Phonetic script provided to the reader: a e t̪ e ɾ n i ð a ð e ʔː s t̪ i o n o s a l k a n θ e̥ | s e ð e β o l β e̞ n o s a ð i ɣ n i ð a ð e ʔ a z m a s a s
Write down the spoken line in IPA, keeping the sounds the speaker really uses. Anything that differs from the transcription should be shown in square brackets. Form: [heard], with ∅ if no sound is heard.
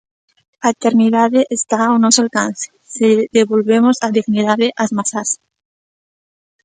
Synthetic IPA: a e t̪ e ɾ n i ð a ð e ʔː s t̪ [a] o n o s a l k a n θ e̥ | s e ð e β o l β e̞ [m] o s a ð i ɣ n i ð a ð e ʔ a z m a s a s

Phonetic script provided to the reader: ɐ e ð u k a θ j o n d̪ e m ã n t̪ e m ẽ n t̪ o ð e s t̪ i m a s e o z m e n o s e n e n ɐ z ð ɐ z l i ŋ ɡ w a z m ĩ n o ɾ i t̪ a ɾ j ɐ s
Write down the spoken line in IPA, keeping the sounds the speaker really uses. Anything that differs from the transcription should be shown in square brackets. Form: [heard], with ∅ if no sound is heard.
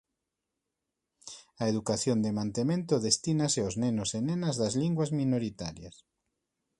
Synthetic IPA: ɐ e ð u k a θ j o n d̪ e m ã n t̪ e m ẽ n t̪ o ð e s t̪ i [n] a s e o z [n] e n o s e n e n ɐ z ð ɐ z l i ŋ ɡ w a z m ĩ n o ɾ i t̪ a ɾ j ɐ s

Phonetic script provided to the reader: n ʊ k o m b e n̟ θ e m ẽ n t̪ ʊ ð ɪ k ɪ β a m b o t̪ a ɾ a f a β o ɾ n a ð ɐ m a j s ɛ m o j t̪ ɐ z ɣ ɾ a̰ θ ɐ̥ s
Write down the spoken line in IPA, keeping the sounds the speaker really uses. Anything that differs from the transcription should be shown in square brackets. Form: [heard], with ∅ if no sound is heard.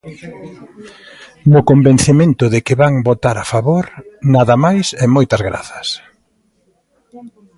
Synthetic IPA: n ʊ k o m b e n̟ θ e m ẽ n t̪ ʊ ð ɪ k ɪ β a [ŋ] b o t̪ a ɾ a f a β o ɾ n a ð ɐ m a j s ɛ m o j t̪ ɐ z ɣ ɾ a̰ θ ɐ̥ s

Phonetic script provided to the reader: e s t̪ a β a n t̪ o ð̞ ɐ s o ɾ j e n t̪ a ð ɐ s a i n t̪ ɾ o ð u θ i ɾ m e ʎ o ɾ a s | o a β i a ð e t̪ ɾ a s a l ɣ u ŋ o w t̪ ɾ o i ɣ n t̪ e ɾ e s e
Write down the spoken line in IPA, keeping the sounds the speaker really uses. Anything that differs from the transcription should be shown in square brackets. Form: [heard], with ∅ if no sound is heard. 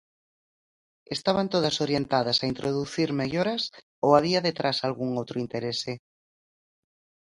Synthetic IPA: e s t̪ a β a n t̪ o ð̞ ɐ s o ɾ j e n t̪ a ð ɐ s a i n t̪ ɾ o ð u θ i ɾ m e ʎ o ɾ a s | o a β i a ð e t̪ ɾ a s a l ɣ u ŋ o w t̪ ɾ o i [∅] n t̪ e ɾ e s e

